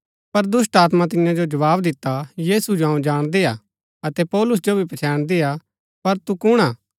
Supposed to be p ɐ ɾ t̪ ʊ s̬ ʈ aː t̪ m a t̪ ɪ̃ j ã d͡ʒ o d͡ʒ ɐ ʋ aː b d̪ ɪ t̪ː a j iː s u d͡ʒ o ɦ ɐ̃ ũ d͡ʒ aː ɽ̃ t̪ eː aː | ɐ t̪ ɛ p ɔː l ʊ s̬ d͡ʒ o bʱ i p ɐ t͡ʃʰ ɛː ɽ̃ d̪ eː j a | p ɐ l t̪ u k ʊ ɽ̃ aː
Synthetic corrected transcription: p ɐ ɾ d̪ ʊ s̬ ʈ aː t̪ m a t̪ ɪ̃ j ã d͡ʒ o d͡ʒ ɐ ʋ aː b d̪ ɪ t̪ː a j iː s u d͡ʒ o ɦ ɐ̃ ũ d͡ʒ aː ɽ̃ d̪ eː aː | ɐ t̪ ɛ p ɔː l ʊ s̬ d͡ʒ o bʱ i p ɐ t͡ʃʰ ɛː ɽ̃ d̪ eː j a | p ɐ ɾ t̪ u k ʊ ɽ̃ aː